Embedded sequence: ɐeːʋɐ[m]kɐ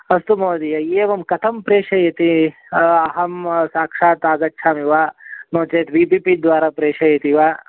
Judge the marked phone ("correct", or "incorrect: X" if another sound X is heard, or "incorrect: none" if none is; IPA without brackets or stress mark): correct